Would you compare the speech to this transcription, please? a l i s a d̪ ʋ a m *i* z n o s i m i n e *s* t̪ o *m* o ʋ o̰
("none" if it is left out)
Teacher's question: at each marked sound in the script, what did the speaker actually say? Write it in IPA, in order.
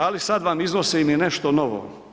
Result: i, ʃ, n

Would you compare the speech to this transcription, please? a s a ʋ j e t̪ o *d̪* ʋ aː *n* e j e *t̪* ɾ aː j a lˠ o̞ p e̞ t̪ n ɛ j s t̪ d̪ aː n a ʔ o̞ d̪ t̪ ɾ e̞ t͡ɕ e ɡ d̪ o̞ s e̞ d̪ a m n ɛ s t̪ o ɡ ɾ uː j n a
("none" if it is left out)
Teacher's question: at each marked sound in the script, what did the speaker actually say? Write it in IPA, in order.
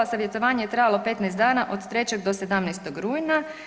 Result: none, ɲ, t̪

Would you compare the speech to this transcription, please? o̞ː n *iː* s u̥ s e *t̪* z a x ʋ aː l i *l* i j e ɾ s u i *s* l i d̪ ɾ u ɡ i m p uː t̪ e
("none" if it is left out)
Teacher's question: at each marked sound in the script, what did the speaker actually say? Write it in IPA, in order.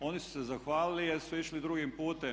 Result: i, none, l, ʃ

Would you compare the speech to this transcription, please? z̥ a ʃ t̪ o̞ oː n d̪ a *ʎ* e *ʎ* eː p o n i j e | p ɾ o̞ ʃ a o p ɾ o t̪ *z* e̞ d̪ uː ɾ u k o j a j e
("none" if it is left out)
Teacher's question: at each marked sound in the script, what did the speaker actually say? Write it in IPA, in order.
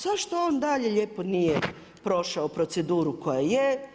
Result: ʎ, ʎ, s

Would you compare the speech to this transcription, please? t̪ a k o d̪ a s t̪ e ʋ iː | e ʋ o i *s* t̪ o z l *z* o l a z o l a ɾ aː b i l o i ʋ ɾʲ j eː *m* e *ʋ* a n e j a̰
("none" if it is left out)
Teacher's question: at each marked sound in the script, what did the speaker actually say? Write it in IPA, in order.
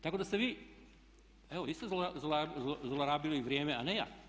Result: s, z, m, none

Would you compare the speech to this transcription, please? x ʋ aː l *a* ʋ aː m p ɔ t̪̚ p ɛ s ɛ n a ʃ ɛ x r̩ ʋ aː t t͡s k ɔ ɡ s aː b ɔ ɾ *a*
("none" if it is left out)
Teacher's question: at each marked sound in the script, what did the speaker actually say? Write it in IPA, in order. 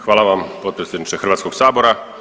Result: a, a

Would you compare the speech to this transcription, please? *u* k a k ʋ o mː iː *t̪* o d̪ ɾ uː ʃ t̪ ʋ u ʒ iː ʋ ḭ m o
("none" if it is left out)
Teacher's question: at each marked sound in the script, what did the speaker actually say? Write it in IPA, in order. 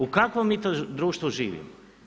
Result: u, t̪

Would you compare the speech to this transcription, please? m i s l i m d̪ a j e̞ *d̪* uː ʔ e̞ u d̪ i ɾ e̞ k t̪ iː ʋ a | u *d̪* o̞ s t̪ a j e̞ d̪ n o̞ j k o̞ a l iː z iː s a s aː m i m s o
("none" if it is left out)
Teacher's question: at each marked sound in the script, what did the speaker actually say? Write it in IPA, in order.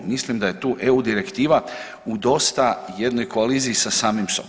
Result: t̪, d̪

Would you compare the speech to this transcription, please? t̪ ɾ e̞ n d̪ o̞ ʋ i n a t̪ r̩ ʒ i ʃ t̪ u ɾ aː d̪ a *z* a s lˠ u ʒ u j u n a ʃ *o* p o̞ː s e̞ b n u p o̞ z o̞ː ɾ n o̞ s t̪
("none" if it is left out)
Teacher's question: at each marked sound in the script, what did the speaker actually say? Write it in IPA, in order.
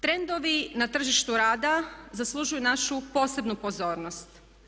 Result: z, u

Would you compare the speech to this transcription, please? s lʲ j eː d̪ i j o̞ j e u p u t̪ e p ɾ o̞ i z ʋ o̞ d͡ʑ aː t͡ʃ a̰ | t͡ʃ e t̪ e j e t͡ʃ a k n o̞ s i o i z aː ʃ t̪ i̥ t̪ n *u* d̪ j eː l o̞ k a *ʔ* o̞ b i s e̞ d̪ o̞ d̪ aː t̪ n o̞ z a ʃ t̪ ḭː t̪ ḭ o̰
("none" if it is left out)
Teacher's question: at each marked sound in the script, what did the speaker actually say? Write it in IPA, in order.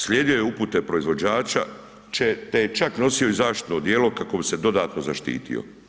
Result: o, k

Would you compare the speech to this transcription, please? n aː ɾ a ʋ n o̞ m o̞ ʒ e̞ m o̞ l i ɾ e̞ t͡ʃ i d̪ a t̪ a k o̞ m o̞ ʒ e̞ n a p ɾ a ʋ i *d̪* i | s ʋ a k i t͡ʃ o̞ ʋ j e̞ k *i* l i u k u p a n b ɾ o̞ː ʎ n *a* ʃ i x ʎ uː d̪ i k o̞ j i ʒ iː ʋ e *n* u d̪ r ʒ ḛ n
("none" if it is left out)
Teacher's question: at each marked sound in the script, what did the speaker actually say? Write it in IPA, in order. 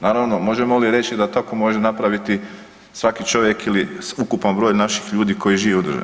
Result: t̪, i, a, none

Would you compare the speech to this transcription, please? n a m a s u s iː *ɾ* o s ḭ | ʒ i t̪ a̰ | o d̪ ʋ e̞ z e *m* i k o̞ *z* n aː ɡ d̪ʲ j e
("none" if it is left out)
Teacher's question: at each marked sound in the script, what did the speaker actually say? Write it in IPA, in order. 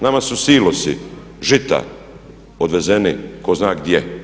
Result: l, n, z

